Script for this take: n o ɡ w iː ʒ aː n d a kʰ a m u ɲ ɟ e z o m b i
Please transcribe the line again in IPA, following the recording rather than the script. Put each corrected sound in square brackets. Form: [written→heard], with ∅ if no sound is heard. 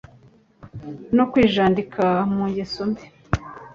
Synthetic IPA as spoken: n o [ɡ→k] w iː ʒ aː n d [a→i] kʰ a m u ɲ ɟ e [z→s] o m b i